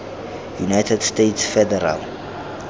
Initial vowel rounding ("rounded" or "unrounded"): rounded